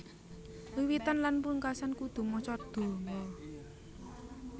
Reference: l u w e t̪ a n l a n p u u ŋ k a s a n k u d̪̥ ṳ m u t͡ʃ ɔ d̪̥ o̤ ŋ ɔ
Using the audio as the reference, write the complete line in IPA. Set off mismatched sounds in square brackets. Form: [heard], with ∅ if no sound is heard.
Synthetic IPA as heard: l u w [i] t̪ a n l a n p u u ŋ k a s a n k u d̪̥ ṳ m [ɔ] t͡ʃ ɔ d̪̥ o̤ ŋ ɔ